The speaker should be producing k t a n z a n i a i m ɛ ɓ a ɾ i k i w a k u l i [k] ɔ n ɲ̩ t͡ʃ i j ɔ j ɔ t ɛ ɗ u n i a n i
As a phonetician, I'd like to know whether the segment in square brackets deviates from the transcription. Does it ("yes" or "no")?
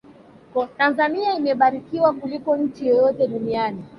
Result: no